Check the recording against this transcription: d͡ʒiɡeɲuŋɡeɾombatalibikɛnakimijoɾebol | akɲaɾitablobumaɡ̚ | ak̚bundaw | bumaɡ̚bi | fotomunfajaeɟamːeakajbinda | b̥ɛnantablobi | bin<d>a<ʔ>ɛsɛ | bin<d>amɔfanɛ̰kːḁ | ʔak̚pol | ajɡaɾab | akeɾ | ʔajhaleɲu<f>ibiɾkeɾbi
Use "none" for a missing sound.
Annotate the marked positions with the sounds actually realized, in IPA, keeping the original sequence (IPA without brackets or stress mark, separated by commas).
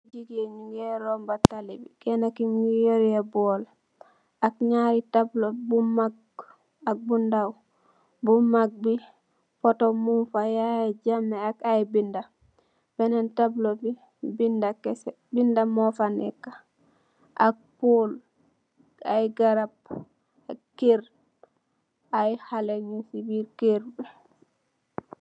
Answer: d, k, d, s